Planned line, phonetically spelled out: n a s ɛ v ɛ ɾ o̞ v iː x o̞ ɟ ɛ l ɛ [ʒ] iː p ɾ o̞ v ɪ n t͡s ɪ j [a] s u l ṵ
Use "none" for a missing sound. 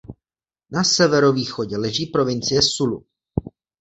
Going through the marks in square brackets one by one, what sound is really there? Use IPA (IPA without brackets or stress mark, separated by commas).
ʒ, ɛ